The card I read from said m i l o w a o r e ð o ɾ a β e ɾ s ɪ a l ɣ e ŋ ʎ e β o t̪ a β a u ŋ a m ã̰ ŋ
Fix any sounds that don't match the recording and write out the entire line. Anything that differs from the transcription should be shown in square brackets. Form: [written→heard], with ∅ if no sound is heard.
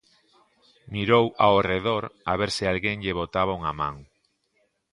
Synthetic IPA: m i [l→ɾ] o w a o r e ð o ɾ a β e ɾ s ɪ a l ɣ e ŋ ʎ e β o t̪ a β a u ŋ a m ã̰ ŋ